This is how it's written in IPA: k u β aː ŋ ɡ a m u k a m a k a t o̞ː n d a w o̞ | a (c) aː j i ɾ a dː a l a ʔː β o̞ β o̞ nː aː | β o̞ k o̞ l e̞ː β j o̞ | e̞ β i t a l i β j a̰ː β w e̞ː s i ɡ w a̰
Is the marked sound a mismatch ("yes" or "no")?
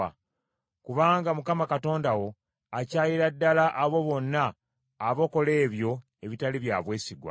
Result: no